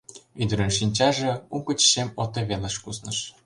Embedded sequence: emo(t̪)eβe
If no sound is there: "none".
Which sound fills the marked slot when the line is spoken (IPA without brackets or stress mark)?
t̪